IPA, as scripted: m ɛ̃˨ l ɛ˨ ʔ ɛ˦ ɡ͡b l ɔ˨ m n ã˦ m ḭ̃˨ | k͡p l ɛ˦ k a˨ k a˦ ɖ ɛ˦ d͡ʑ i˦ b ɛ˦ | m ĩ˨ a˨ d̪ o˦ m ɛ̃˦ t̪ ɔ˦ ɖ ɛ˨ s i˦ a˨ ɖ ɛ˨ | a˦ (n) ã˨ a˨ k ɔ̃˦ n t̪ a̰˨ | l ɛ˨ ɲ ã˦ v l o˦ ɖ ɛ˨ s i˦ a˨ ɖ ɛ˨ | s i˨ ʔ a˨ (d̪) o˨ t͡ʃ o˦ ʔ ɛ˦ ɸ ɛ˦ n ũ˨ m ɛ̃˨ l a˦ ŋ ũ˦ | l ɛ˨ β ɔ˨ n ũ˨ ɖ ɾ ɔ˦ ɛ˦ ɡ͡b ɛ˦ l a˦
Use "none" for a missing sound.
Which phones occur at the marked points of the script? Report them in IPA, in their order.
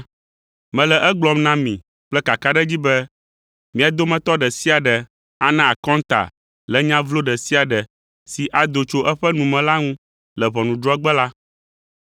n, d̪

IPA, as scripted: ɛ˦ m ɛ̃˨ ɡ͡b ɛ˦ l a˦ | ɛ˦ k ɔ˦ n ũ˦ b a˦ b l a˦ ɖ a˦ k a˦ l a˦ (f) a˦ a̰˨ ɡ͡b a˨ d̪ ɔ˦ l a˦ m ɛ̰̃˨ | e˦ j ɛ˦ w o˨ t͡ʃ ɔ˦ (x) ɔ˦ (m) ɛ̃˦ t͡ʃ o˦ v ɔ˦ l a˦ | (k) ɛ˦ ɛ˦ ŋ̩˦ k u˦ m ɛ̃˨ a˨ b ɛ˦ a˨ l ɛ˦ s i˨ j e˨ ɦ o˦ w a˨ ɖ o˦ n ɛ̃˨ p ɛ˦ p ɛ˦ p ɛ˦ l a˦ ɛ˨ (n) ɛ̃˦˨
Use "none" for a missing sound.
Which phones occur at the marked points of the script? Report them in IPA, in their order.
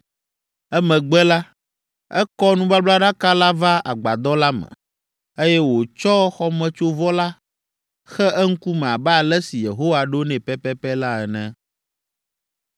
v, x, m, x, n

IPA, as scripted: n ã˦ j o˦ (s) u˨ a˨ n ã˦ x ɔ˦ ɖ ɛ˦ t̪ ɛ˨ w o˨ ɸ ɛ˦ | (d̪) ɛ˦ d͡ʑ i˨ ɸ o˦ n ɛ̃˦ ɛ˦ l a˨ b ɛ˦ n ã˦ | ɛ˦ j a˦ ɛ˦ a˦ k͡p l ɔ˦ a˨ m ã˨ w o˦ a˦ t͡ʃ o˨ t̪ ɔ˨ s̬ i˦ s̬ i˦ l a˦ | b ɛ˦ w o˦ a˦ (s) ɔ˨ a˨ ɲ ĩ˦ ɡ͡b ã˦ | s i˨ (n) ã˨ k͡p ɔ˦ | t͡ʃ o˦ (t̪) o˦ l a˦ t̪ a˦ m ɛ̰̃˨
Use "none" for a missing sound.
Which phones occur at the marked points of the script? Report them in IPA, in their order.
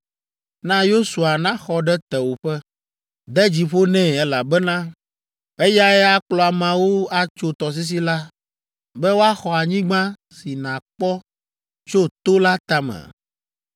s, d̪, x, n, t̪

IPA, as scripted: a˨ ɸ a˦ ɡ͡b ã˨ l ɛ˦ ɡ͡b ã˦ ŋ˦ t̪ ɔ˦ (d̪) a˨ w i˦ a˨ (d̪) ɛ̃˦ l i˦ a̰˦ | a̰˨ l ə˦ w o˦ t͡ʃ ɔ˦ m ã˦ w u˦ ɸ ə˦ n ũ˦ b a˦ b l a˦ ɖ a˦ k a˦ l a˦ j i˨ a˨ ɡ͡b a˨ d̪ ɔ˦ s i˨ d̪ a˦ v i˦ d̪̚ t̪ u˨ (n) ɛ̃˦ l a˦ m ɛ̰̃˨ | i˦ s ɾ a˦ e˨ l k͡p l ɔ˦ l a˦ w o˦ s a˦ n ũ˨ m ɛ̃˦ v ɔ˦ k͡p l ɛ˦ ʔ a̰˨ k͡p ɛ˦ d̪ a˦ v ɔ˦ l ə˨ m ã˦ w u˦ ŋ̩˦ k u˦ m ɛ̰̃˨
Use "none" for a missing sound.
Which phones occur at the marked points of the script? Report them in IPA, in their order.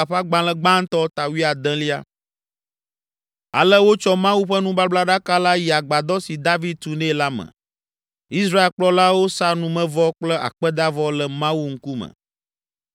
t̪, d̪, n

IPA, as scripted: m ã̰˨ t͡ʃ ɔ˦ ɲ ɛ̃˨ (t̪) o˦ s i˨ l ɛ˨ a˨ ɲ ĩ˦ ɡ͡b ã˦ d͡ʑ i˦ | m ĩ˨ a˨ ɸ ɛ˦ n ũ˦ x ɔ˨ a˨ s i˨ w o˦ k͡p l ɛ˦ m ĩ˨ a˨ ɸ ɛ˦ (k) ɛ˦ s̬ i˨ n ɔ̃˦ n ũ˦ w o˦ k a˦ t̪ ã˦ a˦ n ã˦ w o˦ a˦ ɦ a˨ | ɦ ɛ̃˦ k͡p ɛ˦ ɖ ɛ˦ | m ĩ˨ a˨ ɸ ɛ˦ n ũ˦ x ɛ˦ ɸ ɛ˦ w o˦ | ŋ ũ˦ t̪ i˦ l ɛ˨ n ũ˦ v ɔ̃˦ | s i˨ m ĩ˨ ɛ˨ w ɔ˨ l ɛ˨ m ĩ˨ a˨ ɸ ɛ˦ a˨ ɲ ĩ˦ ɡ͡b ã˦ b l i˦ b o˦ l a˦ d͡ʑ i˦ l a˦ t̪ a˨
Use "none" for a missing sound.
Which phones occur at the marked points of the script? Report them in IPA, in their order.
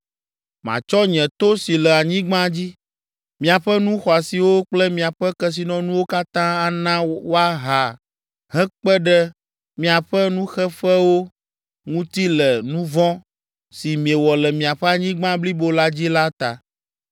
t̪, k

